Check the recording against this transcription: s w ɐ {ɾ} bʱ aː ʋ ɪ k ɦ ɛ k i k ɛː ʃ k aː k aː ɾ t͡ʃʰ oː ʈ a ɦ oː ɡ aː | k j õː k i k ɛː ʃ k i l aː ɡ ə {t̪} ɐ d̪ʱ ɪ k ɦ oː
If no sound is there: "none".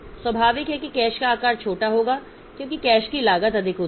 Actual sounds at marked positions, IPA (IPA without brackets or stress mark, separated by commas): none, t̪